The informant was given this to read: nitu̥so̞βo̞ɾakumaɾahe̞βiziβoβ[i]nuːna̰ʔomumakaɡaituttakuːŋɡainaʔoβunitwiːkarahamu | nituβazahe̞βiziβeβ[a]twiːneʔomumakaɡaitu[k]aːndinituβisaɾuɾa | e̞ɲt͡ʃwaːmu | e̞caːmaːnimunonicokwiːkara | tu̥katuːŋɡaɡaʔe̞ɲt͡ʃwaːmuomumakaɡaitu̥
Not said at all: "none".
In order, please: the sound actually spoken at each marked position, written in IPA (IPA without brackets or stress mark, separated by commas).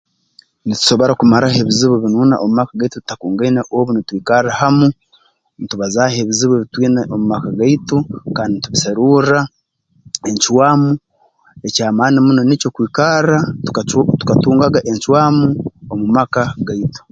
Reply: i, i, k